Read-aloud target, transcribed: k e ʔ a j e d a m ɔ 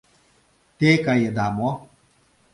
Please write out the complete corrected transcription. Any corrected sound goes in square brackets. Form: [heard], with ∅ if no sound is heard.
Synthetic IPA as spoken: [t] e [k] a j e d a m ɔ

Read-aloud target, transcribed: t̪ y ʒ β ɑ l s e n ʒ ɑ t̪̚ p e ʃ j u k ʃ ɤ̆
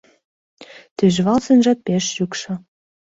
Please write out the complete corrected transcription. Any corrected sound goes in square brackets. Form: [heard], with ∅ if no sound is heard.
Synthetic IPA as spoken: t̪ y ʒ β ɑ l s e n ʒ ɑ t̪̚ p e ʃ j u k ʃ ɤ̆

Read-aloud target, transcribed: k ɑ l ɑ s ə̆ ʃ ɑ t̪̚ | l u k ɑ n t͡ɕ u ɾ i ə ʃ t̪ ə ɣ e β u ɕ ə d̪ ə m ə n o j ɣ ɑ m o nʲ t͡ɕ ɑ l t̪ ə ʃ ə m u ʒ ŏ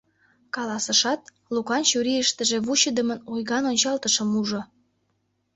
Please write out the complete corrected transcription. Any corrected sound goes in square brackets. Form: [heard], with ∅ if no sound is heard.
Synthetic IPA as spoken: k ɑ l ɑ s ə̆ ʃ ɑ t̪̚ | l u k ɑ n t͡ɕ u ɾ i ə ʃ t̪ ə [ʒ] e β u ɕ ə d̪ ə m ə n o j ɣ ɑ [n] o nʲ t͡ɕ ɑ l t̪ ə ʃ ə m u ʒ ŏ

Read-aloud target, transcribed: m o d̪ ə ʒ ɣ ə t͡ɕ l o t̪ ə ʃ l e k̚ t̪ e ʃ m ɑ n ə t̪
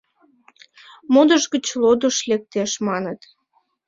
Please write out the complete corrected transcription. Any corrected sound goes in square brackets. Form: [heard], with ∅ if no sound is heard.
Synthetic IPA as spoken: m o d̪ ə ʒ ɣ ə t͡ɕ l o [d̪] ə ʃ l e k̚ t̪ e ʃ m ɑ n ə t̪

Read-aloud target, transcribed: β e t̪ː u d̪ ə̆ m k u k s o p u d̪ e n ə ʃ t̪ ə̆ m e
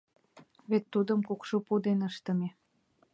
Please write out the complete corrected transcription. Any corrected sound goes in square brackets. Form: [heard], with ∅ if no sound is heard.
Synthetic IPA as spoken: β e t̪ː u d̪ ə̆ m k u k [ʃ] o p u d̪ e n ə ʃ t̪ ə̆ m e

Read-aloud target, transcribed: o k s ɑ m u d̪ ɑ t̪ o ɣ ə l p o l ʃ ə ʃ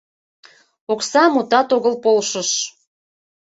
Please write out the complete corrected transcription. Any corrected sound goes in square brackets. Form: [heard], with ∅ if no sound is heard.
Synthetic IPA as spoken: o k s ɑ m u [t̪] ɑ t̪ o ɣ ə l p o l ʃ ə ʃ

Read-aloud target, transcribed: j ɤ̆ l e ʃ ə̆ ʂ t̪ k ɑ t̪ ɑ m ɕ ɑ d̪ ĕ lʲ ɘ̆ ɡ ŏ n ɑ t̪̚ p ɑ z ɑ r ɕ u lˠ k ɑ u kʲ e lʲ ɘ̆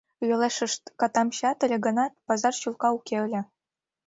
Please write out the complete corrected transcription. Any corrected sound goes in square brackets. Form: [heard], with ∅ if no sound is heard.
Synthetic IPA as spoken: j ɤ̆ l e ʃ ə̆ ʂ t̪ k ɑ t̪ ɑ m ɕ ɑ [t̪] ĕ lʲ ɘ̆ ɡ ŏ n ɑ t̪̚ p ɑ z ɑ r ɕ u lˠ k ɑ u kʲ e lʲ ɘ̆

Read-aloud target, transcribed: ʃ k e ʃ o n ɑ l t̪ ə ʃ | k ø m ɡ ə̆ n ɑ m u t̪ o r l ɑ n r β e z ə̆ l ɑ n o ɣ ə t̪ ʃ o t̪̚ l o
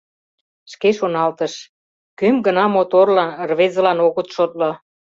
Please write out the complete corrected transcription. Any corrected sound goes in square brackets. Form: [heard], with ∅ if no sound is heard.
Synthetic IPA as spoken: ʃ k e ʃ o n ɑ l t̪ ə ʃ | k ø m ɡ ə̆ n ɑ m [o] t̪ o r l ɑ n r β e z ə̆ l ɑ n o ɣ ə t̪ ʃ o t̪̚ l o

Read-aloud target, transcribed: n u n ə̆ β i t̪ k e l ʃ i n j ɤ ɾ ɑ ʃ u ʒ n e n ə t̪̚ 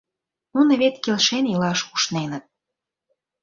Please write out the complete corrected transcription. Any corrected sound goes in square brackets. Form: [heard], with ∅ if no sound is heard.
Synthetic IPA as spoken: n u n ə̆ β [e] t̪ k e l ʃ [e] n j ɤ [l] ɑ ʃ u [ʃ] n e n ə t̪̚

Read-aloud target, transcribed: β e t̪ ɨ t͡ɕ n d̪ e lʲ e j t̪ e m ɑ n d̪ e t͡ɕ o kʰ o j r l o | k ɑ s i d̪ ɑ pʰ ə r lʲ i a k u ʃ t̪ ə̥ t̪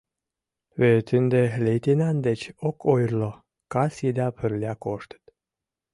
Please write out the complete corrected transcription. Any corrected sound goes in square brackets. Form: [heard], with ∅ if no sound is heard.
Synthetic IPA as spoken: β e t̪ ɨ [∅] n d̪ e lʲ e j t̪ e [n] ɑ n d̪ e t͡ɕ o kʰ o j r l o | k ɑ s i d̪ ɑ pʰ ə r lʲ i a k [o] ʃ t̪ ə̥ t̪

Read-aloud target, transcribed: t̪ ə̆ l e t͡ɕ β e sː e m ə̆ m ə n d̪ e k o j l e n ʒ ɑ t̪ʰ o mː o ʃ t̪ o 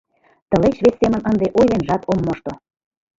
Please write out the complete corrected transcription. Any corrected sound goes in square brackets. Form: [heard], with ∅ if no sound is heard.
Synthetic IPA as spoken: t̪ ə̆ l e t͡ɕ β e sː e m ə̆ [n] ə n d̪ e [ʔ] o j l e n ʒ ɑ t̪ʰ o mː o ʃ t̪ o

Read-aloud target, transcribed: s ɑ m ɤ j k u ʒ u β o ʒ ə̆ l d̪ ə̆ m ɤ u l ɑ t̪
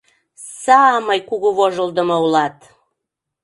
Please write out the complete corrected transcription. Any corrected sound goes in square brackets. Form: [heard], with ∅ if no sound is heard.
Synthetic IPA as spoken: s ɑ m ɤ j k u [ɣ] u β o ʒ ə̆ l d̪ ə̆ m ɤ u l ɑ t̪

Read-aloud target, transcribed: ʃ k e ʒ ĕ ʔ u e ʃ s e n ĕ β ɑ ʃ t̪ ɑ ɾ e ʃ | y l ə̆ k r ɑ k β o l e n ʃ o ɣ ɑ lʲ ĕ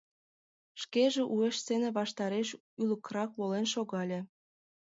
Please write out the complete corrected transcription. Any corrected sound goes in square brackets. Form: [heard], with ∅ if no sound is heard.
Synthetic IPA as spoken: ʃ k e ʒ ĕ ʔ u e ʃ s e n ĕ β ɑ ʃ t̪ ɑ ɾ e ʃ | y l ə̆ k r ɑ k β o l e n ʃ o ɣ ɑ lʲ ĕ

